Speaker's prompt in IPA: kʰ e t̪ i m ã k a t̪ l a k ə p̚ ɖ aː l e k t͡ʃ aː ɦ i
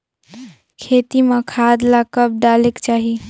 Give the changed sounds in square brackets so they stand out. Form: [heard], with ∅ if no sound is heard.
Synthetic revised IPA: kʰ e t̪ i m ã [kʰ] a [d̪] l a k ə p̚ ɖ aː l e k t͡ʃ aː ɦ i